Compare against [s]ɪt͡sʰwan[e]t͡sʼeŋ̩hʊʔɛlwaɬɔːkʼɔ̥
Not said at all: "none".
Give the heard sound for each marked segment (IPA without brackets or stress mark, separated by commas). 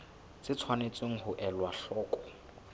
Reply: t͡s, e